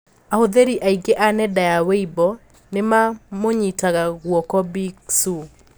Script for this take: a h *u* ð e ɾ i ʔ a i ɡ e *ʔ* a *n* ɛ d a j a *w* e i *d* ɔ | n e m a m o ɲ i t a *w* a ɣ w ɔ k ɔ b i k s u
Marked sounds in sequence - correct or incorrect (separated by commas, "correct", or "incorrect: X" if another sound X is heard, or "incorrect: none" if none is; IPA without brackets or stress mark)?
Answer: incorrect: o, correct, correct, correct, incorrect: b, incorrect: ɣ